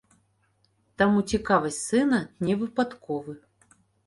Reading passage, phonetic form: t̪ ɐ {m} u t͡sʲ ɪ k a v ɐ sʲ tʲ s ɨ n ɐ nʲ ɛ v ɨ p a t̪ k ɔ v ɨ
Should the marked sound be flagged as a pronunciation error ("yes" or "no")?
no